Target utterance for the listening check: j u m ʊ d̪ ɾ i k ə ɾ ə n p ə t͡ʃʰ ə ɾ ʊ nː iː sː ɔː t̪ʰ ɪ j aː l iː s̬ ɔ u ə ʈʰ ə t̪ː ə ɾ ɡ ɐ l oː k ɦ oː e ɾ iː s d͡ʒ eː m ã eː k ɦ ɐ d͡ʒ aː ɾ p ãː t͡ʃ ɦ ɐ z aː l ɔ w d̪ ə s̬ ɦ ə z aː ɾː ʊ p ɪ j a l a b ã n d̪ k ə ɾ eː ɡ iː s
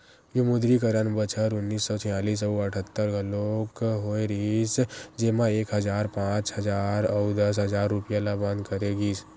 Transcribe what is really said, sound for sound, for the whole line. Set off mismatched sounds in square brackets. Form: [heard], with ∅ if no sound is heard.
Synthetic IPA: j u m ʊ d̪ ɾ i k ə ɾ ə n [b] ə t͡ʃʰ ə ɾ ʊ nː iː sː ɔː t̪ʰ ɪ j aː l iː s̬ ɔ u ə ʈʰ ə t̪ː ə ɾ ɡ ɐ l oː k ɦ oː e ɾ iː s d͡ʒ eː m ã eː k ɦ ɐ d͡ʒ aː ɾ p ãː t͡ʃ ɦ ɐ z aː [ɾ] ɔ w d̪ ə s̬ ɦ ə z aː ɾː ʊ p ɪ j a l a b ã n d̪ k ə ɾ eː ɡ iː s